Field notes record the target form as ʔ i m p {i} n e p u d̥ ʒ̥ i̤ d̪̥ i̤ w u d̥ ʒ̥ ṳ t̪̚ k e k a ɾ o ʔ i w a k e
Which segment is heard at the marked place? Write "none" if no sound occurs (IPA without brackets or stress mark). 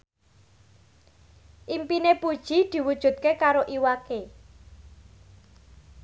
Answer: i